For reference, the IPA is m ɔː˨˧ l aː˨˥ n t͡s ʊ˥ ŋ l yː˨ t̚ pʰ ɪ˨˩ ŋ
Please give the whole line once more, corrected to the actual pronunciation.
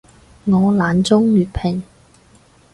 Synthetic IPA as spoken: ŋ ɔː˨˧ l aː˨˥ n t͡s ʊ˥ ŋ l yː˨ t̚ pʰ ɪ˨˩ ŋ